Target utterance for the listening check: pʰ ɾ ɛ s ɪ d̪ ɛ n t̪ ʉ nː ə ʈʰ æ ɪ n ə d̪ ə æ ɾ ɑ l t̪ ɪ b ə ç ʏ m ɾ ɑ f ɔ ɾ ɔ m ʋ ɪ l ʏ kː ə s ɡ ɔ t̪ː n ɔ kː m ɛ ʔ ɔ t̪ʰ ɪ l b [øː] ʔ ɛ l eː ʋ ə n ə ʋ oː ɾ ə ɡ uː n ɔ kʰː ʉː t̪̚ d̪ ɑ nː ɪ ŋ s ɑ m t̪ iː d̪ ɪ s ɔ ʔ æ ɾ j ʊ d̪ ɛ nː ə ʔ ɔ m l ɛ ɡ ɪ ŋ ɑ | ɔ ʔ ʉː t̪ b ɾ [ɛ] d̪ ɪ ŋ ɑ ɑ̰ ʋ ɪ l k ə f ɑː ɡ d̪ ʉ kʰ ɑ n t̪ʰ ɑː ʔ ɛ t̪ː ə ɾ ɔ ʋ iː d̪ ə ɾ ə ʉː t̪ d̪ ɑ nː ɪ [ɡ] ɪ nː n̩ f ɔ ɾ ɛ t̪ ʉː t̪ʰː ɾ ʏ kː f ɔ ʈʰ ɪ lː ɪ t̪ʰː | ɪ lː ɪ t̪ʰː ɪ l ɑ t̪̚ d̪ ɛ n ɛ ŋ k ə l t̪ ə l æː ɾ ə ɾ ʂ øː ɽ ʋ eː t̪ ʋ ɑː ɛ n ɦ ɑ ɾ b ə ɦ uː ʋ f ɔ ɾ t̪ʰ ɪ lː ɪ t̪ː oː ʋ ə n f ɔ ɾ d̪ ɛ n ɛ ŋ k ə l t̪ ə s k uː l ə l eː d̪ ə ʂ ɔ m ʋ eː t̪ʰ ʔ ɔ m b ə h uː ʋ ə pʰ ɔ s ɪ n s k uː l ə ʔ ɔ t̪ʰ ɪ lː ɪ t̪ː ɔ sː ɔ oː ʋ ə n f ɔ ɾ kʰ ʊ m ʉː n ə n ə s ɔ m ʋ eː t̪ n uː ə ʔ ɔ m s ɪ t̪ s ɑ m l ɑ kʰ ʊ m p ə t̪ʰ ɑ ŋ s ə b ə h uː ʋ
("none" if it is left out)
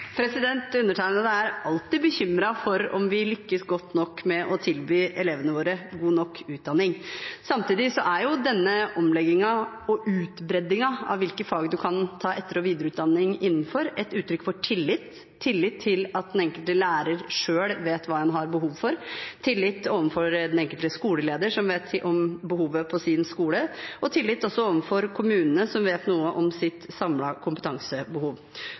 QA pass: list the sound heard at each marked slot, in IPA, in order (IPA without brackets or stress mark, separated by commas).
yː, ɛ, ŋ